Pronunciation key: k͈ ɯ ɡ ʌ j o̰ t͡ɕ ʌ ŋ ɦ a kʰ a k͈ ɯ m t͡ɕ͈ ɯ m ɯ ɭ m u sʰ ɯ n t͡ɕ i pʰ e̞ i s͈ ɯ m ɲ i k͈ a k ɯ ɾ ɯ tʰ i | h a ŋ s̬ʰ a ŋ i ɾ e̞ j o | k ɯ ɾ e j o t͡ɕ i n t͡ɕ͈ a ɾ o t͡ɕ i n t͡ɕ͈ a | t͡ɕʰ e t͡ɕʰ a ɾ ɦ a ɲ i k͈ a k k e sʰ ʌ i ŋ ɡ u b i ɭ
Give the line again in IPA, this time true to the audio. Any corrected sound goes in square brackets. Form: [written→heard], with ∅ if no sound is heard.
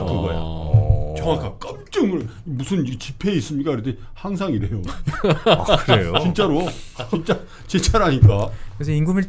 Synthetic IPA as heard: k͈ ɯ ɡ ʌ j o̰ t͡ɕ ʌ ŋ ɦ a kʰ a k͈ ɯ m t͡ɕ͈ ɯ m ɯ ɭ m u sʰ ɯ n t͡ɕ i pʰ e̞ i s͈ ɯ m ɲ i k͈ a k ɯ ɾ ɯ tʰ [i→e] | h a ŋ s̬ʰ a ŋ i ɾ e̞ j o | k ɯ ɾ e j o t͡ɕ i n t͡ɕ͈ a ɾ o t͡ɕ i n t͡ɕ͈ a | [t͡ɕʰ→t͡ɕ] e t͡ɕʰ a ɾ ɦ a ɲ i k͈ a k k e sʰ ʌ i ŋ ɡ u [b→m] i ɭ